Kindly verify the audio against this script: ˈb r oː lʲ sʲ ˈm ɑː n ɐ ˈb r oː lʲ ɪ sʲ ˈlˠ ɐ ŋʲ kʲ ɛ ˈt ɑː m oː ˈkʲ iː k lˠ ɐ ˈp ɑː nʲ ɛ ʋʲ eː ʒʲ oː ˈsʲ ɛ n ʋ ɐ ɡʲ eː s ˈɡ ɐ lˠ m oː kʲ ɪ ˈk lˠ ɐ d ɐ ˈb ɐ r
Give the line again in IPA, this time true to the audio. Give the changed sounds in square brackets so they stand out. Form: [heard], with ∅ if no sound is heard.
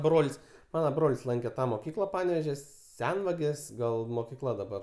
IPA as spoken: ˈb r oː lʲ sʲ ˈm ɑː n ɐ ˈb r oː lʲ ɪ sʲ ˈlˠ ɐ ŋʲ kʲ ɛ ˈt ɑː m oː ˈkʲ iː k lˠ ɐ ˈp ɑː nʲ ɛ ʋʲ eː ʒʲ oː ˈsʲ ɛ n ʋ ɐ ɡʲ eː s ˈɡ ɐ lˠ m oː kʲ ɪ ˈk lˠ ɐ d ɐ ˈb ɐ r